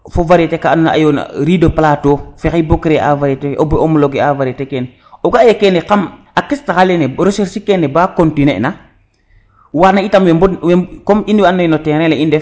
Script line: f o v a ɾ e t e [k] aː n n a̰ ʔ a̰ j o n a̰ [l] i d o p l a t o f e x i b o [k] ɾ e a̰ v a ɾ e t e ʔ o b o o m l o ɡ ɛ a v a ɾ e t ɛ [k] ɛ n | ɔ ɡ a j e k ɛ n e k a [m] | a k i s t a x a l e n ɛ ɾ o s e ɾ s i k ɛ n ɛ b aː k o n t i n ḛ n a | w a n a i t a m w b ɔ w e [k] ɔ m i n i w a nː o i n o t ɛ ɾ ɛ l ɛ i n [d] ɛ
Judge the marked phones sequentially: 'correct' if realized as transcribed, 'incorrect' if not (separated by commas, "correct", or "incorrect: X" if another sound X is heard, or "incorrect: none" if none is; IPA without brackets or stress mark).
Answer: correct, incorrect: ɾ, correct, correct, correct, correct, correct